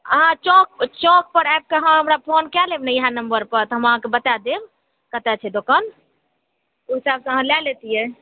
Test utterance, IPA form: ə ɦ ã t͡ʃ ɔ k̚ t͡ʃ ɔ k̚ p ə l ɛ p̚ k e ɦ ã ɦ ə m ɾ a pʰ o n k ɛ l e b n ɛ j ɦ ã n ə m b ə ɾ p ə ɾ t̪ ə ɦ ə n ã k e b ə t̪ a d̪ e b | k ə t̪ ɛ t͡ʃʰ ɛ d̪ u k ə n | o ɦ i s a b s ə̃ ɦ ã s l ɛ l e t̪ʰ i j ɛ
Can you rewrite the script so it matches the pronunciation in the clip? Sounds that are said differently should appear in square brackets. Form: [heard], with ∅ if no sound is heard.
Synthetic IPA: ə ɦ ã t͡ʃ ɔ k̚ t͡ʃ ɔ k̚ p ə [ɾ] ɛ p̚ k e ɦ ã ɦ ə m ɾ a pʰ o n k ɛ l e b n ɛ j ɦ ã n ə m b ə ɾ p ə ɾ t̪ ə ɦ ə [m] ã k e b ə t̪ a d̪ e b | k ə t̪ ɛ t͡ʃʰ ɛ d̪ [o] k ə n | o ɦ i s a b s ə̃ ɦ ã [∅] l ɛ l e [t̪] i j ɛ